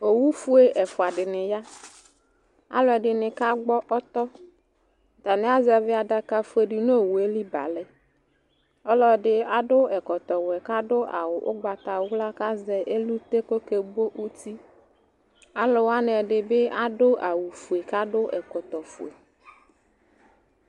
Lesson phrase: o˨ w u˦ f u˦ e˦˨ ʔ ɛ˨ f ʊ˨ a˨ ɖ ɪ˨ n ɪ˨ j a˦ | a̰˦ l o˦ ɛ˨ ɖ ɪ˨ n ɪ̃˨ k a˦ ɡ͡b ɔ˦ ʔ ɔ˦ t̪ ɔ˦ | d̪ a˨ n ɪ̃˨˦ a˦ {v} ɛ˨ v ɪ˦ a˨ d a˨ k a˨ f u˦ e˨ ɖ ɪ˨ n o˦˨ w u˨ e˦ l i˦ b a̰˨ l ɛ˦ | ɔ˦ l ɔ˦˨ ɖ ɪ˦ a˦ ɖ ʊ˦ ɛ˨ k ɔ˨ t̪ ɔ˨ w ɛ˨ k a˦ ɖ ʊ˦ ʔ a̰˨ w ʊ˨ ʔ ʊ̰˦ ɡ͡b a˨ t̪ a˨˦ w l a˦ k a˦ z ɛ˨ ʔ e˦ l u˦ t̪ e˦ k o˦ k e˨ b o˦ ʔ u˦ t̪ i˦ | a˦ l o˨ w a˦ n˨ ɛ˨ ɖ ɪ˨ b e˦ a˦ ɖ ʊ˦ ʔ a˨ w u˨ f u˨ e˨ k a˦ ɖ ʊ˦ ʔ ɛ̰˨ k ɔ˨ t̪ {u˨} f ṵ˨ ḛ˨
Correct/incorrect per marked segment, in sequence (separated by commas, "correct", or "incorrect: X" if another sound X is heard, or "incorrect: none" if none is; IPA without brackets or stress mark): incorrect: z, incorrect: ɔ˨